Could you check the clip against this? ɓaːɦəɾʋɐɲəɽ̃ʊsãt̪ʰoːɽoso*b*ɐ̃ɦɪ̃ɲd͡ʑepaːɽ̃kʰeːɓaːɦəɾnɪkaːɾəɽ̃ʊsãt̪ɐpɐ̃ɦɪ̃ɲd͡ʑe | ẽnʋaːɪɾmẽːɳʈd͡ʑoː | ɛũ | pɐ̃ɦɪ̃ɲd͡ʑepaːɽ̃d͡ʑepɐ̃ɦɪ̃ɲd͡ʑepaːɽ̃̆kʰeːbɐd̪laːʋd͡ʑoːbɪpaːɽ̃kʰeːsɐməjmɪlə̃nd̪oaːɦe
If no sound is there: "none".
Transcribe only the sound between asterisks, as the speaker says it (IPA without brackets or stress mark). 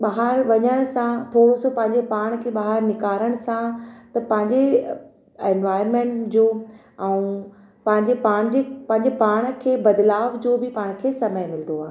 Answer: p